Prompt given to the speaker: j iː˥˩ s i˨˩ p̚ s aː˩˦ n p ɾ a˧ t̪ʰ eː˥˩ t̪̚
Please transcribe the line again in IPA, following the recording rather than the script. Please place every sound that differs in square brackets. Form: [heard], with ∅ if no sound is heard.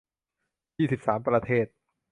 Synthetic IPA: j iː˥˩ s i˨˩ p̚ s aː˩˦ [m] p ɾ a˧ t̪ʰ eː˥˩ t̪̚